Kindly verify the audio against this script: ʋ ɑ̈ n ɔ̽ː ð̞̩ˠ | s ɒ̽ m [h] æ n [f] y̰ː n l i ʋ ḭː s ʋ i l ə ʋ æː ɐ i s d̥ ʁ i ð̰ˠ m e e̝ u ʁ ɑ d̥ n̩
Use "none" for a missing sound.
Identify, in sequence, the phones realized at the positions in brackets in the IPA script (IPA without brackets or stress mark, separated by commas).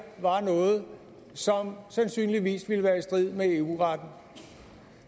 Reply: s, s